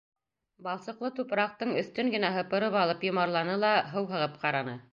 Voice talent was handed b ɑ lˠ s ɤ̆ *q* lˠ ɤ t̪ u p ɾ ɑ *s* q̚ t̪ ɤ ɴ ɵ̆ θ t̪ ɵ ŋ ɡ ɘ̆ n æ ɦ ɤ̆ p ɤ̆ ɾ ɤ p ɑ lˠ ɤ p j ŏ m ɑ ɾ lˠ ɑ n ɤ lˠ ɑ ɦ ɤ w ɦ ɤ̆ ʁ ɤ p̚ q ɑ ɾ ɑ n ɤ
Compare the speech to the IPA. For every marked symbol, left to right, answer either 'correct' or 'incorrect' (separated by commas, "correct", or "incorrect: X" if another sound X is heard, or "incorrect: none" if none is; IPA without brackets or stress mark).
correct, incorrect: none